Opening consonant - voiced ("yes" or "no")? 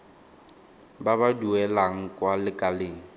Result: yes